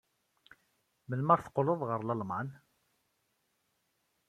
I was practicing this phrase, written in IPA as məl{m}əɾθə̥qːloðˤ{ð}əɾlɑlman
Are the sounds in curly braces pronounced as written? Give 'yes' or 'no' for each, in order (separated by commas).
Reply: yes, no